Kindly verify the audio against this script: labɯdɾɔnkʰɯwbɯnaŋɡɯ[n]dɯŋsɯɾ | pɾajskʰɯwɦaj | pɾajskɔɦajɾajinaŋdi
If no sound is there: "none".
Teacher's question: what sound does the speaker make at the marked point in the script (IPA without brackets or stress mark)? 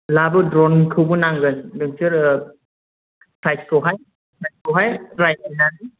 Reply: n